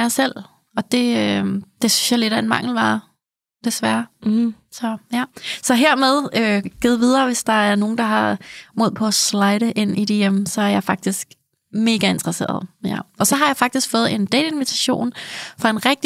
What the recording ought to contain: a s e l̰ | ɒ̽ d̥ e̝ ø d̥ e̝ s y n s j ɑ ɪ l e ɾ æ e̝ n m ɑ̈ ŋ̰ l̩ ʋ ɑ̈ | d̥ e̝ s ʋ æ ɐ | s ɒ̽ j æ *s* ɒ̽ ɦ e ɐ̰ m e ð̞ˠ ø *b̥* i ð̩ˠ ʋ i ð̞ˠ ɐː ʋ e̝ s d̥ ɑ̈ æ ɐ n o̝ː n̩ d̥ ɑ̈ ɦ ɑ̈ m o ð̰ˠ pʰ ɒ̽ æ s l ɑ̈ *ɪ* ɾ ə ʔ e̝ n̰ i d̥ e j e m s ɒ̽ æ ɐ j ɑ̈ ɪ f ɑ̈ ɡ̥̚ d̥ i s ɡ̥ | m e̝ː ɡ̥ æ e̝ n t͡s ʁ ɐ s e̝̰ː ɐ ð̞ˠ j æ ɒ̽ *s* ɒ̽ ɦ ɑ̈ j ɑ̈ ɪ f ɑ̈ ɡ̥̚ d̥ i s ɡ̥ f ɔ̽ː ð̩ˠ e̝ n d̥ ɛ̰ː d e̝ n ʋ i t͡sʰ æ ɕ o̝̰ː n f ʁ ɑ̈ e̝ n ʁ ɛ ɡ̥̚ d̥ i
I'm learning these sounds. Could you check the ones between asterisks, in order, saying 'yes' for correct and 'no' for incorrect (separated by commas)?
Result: yes, no, yes, yes